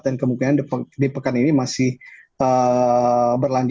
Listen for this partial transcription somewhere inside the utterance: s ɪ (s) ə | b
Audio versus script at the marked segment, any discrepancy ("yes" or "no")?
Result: yes